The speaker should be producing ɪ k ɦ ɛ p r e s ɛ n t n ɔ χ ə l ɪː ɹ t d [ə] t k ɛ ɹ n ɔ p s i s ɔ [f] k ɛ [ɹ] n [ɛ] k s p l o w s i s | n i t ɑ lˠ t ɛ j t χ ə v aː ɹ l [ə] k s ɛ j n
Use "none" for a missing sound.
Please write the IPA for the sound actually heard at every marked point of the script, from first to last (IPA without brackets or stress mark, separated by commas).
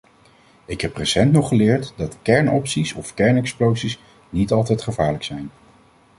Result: ɑ, f, ɹ, ɛ, ə